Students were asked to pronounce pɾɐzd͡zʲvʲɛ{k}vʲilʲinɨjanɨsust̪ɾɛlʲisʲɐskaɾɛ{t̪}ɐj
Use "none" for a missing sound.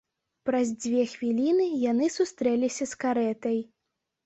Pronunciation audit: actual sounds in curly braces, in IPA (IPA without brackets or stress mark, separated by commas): x, t̪